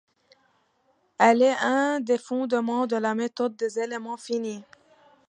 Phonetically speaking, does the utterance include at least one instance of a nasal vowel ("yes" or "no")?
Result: yes